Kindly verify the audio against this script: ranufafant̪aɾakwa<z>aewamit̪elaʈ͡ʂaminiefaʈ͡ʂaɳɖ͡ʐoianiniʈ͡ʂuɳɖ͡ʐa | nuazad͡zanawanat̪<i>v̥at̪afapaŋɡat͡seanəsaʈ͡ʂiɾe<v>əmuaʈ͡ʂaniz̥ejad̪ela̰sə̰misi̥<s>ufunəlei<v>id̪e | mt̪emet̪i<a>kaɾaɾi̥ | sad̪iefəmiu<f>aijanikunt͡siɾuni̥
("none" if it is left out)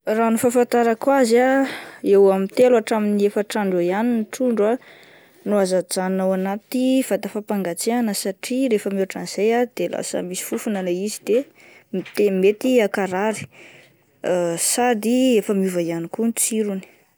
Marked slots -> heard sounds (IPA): z, i, f, f, z, a, v

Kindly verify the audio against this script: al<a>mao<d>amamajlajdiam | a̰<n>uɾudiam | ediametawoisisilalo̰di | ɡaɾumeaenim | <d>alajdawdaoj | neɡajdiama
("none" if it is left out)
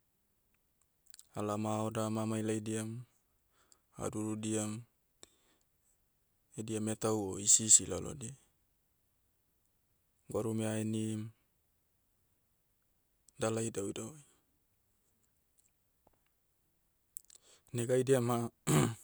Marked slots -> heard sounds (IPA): a, d, d, d

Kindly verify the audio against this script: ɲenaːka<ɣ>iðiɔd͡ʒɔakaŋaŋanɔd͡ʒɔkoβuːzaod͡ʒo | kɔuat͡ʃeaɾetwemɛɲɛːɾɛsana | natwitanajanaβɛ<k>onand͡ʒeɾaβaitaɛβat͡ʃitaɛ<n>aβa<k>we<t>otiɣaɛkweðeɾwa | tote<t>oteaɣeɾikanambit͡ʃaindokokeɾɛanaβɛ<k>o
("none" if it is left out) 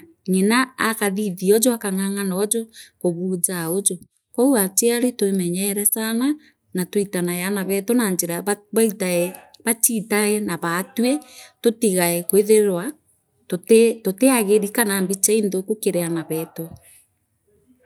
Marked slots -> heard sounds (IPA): ð, t, n, t, t, t, t

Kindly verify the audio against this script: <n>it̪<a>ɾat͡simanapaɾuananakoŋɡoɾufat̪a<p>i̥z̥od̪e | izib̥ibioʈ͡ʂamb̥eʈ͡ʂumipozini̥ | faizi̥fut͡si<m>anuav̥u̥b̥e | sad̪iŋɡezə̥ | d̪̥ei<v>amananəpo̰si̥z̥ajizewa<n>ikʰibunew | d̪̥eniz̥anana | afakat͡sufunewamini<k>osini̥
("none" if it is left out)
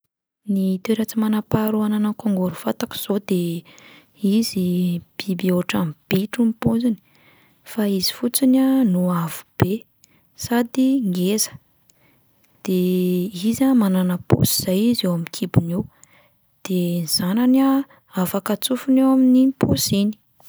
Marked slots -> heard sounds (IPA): n, e, k, n, z, m, p

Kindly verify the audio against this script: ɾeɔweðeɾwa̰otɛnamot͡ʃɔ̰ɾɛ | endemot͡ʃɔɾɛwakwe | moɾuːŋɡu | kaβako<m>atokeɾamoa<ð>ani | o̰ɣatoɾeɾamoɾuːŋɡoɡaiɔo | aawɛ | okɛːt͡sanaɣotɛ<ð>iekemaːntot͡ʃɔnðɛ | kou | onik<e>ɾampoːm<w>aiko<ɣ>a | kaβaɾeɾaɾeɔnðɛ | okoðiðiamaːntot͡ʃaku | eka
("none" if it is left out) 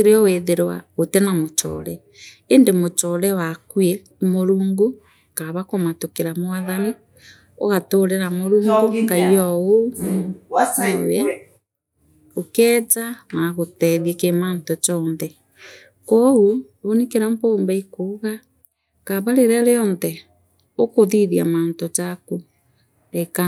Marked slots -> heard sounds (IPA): m, ð, ð, e, b, ɣ

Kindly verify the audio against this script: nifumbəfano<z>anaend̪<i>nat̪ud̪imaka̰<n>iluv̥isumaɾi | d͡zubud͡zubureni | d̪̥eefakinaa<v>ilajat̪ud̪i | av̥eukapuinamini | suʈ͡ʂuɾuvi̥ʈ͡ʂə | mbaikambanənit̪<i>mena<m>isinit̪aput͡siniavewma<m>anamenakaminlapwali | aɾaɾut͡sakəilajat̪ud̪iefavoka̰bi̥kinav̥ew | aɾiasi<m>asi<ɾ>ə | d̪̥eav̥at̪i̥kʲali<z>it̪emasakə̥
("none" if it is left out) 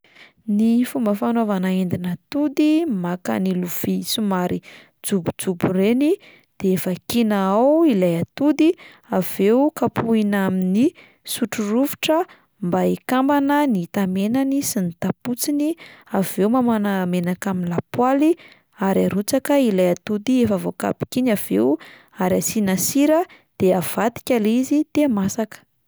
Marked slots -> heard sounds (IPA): v, i, n, w, a, n, m, n, ɾ, z

